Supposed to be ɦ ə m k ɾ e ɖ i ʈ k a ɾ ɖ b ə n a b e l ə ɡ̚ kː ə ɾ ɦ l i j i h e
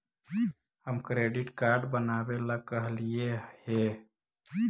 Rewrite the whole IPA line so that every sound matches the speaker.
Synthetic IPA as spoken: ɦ ə m k ɾ e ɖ i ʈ k a ɾ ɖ b ə n a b e l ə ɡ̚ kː ə ɦ l i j e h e